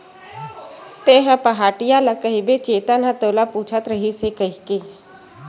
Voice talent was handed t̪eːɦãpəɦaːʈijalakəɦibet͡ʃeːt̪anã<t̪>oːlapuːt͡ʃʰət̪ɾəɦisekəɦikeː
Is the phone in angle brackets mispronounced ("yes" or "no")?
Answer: no